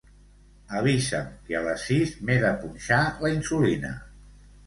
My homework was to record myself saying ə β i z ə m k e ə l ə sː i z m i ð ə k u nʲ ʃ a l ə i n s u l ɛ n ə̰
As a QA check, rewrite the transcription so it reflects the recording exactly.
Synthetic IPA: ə β i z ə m k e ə l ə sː i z m e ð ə p u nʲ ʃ a l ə i n s u l i n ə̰